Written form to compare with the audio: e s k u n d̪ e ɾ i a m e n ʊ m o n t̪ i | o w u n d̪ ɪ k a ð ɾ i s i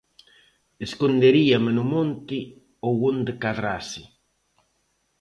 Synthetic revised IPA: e s k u n d̪ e ɾ i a m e n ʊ m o n t̪ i | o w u n d̪ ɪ k a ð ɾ a s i